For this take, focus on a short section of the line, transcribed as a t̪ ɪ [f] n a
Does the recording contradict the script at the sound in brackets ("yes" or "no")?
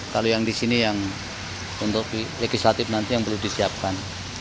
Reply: no